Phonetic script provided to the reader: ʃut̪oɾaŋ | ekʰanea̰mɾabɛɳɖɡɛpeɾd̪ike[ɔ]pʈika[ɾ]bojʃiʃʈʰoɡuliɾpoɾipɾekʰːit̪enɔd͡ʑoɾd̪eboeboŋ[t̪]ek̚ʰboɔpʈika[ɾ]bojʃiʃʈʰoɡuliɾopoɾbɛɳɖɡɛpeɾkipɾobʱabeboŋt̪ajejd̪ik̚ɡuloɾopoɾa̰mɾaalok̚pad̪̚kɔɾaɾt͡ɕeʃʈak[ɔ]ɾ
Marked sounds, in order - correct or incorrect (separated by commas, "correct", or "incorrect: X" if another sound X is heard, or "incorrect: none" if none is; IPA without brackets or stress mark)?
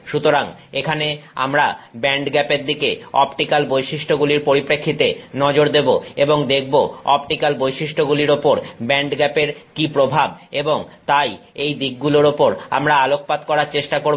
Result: correct, incorrect: l, incorrect: d̪, incorrect: l, incorrect: o